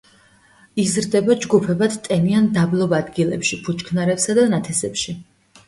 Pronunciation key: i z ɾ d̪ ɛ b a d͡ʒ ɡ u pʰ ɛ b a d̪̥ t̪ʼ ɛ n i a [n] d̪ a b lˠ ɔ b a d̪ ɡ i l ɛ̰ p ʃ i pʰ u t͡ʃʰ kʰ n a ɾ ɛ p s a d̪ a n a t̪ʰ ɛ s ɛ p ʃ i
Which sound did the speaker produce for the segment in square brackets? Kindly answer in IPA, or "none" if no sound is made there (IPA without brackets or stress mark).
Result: n